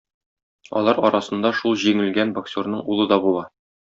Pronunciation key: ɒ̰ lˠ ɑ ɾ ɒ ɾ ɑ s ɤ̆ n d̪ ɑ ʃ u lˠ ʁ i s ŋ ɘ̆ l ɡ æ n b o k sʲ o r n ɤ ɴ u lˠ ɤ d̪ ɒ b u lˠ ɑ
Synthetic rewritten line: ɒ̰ lˠ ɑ ɾ ɒ ɾ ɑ s ɤ̆ n d̪ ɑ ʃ u lˠ ʑ i ŋ ɘ̆ l ɡ æ n b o k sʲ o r n ɤ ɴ u lˠ ɤ d̪ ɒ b u lˠ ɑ